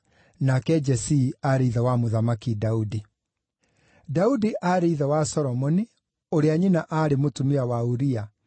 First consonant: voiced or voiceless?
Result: voiced